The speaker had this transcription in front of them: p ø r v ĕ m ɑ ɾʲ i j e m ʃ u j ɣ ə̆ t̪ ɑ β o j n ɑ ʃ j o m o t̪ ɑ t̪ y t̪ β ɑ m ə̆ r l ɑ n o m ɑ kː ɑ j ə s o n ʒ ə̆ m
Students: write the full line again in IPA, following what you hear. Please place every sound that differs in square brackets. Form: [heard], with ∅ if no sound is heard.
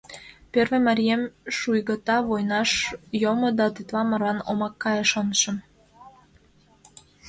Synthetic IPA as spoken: p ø r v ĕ m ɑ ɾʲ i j e m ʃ u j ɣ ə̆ t̪ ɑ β o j n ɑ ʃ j o m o [d̪] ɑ t̪ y t̪ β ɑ m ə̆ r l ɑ n o m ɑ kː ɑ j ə [ʃ] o n [ʃ] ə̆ m